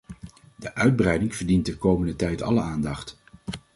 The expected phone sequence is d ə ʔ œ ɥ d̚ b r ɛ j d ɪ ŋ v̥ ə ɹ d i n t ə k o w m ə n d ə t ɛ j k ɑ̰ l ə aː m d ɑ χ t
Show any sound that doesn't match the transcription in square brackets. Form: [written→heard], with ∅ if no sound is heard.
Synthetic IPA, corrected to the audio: d ə ʔ œ ɥ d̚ b r ɛ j d ɪ ŋ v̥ ə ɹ d i n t ə k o w m ə n d ə t ɛ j [k→t] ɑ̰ l ə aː [m→n] d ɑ χ t